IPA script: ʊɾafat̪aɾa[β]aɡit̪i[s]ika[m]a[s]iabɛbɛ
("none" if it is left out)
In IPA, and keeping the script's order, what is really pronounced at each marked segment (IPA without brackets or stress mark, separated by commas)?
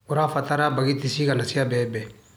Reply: b, s, n, s